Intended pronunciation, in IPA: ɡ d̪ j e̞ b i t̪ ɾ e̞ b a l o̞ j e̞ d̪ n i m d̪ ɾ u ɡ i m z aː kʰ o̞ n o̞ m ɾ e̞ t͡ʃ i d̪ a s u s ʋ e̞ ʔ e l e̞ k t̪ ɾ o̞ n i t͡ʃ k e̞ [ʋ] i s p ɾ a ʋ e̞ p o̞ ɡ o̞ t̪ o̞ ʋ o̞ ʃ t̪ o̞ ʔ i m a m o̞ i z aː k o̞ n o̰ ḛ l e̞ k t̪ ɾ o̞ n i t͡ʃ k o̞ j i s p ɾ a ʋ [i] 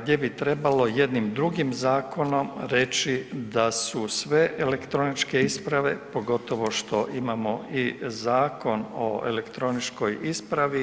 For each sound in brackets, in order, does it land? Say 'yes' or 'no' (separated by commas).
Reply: no, yes